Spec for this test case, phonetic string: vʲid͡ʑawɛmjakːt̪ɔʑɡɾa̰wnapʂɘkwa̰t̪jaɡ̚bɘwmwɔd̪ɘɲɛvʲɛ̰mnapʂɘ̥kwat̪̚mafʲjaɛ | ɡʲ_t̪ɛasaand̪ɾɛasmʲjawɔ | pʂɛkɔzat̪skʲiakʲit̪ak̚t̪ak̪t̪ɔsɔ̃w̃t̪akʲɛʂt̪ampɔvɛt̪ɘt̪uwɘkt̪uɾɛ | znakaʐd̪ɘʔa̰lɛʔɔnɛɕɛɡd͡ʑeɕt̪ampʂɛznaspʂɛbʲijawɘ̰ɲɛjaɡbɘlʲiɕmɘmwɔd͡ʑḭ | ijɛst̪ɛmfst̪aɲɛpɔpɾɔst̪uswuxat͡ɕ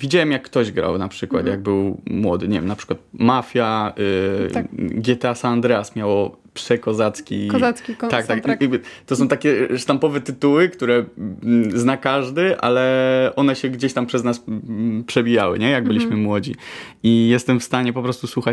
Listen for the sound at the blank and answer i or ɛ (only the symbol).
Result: ɛ